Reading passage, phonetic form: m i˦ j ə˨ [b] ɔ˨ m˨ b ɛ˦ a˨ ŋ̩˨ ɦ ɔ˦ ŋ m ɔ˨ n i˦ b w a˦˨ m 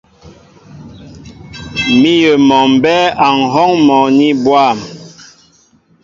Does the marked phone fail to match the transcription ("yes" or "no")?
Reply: yes